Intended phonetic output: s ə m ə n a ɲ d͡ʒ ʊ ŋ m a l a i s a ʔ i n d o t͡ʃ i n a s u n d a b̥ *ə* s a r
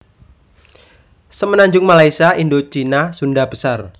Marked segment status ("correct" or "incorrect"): correct